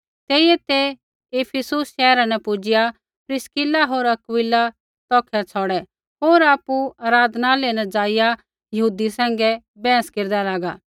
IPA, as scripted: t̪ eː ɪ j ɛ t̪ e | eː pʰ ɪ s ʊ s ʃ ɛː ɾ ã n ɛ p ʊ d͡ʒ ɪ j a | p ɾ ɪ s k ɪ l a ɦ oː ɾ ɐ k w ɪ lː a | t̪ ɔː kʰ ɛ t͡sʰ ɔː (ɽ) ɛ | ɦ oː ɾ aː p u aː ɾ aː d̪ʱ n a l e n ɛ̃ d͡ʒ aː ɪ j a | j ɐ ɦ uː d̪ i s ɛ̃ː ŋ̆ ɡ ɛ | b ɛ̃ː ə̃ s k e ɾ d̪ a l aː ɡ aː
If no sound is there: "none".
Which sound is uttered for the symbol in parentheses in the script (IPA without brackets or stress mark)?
ɽ